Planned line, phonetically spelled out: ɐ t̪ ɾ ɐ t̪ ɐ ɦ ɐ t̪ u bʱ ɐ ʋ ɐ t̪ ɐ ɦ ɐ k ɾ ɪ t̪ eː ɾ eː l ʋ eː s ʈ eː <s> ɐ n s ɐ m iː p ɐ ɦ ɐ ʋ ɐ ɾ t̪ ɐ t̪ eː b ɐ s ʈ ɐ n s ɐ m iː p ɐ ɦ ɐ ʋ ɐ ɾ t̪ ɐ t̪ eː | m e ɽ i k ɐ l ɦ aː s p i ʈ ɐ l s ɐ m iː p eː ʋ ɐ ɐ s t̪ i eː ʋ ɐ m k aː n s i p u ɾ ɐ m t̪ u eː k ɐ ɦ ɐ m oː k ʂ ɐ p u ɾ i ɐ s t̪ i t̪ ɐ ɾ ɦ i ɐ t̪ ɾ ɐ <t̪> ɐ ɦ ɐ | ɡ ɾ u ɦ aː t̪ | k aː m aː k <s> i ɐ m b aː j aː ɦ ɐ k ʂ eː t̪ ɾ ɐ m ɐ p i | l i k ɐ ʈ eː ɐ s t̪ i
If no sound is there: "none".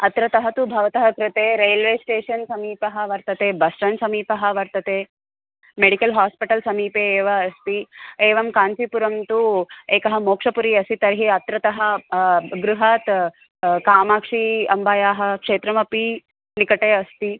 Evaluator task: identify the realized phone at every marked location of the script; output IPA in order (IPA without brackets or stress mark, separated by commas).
ʂ, t̪, ʂ